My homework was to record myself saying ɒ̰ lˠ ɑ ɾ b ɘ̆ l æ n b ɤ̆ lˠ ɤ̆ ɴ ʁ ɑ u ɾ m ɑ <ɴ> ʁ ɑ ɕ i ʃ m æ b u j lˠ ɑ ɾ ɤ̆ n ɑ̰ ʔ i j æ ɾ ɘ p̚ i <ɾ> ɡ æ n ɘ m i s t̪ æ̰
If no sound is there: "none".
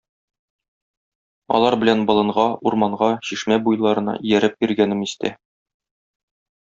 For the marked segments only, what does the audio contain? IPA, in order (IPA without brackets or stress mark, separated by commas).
ɴ, ɾ